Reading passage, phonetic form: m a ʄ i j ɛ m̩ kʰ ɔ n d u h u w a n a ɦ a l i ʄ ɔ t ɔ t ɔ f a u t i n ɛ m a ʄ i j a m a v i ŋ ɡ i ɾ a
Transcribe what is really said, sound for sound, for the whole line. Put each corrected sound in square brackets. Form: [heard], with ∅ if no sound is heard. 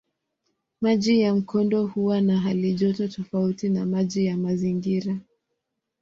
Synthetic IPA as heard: m a ʄ i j [a] m̩ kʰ ɔ n d [ɔ] h u w a n a ɦ a l i ʄ ɔ t ɔ t ɔ f a u t i n [a] m a ʄ i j a m a [z] i ŋ ɡ i ɾ a